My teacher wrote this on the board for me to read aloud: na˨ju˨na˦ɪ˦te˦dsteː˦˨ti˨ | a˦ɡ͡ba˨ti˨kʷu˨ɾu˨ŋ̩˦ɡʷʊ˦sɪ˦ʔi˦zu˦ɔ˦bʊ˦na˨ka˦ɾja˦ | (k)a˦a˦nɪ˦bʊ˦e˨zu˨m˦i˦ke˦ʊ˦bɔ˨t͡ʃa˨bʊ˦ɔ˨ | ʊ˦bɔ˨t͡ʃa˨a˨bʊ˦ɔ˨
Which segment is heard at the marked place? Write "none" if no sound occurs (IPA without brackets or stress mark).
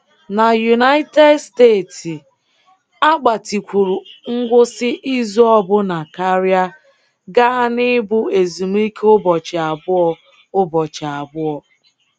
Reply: ɡ